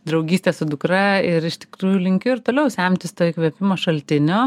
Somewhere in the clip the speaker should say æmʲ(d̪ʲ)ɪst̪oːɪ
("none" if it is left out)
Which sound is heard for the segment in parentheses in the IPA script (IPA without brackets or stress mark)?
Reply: t̪ʲ